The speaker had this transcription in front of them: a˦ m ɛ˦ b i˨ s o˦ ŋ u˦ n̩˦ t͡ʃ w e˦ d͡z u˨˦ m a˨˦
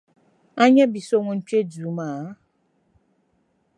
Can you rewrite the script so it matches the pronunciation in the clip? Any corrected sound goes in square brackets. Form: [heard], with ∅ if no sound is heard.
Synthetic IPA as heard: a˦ [ɲ] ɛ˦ b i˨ s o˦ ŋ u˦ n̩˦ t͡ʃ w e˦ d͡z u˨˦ m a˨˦